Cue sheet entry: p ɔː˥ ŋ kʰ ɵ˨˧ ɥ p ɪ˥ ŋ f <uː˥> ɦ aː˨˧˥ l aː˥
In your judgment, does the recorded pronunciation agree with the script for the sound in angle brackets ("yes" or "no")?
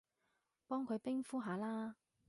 yes